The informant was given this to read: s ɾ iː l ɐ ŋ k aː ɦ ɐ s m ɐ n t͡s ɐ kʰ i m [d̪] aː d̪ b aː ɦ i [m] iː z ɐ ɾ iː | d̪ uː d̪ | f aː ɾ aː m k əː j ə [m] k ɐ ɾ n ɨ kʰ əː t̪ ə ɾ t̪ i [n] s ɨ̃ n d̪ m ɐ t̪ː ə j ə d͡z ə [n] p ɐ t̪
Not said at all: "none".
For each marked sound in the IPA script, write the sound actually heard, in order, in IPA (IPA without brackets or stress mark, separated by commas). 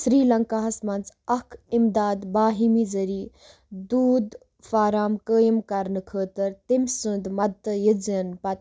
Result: d̪, m, m, m, n